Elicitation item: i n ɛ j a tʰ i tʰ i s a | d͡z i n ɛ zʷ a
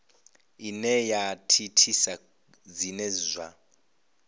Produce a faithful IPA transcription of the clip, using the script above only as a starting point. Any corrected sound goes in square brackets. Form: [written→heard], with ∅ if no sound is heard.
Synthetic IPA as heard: i n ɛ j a tʰ i tʰ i s a | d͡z i n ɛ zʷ a